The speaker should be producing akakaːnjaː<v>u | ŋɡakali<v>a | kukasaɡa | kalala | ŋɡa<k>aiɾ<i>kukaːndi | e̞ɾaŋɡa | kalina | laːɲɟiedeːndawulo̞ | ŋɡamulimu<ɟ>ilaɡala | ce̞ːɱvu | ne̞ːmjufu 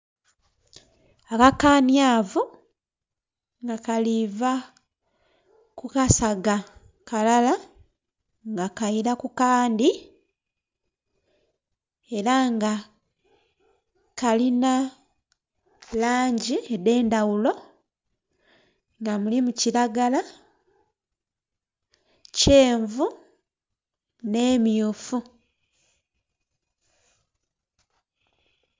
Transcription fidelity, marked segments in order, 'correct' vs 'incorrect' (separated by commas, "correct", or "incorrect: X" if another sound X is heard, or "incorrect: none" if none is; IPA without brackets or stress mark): correct, correct, correct, incorrect: a, incorrect: c